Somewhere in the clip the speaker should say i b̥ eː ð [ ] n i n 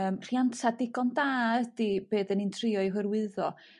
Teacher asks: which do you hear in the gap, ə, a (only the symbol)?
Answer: ə